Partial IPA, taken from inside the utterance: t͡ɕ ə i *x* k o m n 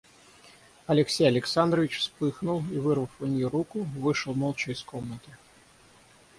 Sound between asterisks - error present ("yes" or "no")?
yes